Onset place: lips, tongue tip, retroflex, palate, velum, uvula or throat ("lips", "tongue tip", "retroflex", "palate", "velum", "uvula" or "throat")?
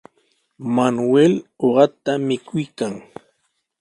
lips